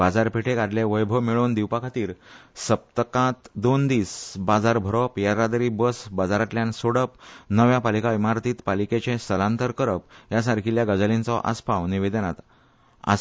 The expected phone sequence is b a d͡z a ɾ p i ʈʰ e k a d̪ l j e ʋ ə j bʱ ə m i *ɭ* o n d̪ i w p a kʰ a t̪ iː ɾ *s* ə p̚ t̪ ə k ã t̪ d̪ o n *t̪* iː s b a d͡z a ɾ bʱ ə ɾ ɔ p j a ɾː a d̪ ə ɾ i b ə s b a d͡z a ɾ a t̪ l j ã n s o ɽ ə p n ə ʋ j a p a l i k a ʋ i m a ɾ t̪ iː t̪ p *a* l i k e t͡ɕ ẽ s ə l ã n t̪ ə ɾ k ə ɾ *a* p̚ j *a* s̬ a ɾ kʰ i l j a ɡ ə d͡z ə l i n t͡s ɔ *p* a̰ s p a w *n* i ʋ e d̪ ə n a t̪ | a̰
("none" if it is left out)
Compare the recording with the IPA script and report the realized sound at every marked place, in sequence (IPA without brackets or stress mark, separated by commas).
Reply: ɭ, s, d̪, a, ə, a, ʔ, n